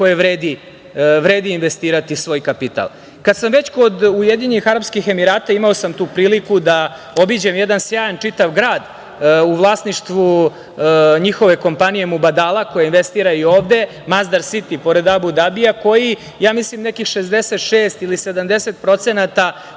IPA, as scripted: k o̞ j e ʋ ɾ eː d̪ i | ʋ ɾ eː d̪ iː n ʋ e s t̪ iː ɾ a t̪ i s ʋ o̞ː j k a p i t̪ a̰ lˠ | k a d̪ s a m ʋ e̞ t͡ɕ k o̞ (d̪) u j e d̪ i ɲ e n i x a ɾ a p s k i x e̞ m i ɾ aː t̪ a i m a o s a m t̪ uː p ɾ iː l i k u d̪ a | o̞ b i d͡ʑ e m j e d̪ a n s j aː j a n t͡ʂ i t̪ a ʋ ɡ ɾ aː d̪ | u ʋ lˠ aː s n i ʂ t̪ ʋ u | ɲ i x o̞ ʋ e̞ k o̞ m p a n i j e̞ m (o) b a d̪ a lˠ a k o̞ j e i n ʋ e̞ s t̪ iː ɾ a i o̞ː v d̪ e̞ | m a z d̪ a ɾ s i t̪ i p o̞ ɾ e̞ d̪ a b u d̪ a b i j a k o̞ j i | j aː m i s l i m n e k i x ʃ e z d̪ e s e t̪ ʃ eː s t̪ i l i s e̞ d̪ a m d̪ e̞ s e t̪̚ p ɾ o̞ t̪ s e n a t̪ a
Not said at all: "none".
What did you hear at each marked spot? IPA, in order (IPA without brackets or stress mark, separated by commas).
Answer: d̪, u